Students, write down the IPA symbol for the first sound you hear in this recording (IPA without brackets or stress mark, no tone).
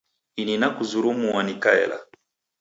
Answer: i